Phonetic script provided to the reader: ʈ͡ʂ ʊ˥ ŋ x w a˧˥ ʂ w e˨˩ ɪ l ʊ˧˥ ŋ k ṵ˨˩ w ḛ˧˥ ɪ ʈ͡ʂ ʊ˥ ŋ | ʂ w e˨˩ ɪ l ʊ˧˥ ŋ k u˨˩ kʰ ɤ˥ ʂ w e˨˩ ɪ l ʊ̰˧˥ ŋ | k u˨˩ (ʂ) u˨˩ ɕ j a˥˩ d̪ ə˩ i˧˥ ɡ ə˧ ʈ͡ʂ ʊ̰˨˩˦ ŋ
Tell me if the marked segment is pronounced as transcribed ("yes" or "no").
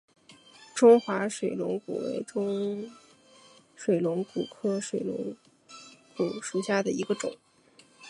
yes